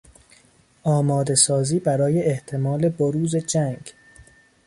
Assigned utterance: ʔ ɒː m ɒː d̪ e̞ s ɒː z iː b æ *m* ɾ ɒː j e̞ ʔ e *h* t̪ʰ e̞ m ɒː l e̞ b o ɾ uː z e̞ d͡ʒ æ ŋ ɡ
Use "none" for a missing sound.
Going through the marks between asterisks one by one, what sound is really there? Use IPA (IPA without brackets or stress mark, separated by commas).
none, h